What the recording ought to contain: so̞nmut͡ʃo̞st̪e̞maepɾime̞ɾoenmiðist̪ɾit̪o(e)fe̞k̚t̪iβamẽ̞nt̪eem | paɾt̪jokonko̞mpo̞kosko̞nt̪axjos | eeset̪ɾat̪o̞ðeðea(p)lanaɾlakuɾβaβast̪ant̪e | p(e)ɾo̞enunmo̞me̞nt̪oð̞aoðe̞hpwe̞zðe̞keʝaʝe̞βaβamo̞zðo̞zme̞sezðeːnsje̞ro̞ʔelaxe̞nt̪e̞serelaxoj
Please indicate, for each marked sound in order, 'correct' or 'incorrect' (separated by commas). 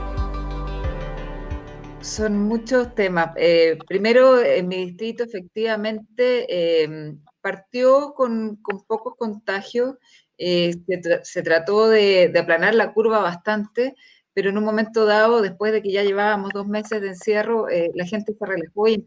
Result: correct, correct, correct